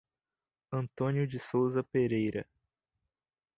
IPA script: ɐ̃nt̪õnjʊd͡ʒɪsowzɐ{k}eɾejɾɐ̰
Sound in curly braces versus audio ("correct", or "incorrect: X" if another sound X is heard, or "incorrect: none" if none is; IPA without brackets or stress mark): incorrect: p